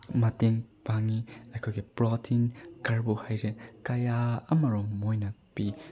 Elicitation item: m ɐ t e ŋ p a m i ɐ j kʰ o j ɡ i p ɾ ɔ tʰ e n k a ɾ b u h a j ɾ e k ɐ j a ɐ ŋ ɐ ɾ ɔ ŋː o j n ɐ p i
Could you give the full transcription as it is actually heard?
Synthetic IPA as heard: m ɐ t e ŋ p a ŋ i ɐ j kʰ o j ɡ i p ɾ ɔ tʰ i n k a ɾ b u h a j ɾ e k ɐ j a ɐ m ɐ ɾ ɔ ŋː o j n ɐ p i